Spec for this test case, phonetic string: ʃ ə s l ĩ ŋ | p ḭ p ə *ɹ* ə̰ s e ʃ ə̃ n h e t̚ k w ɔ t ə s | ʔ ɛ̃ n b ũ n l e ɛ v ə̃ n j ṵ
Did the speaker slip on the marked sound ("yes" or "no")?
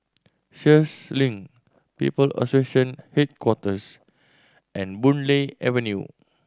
yes